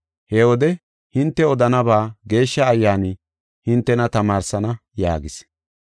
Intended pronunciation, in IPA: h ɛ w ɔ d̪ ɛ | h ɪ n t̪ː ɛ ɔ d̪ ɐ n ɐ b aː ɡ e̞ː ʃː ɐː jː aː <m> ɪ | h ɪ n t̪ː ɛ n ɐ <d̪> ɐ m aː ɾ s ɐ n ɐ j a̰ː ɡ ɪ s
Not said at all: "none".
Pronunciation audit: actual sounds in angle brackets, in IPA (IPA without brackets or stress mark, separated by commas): n, t̪